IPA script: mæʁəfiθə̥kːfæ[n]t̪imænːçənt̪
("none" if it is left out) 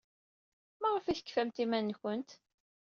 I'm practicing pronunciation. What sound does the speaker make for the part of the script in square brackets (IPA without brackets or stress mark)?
m